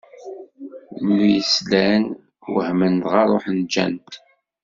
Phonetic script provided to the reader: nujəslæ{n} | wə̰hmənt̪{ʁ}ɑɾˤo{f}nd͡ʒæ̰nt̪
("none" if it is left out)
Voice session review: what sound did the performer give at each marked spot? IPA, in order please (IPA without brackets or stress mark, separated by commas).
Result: n, ʁ, ħ